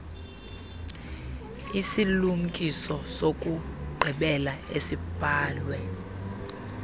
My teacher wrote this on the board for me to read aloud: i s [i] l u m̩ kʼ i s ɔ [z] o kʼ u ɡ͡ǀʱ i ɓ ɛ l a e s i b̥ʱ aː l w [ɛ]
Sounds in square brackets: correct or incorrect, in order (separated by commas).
correct, incorrect, correct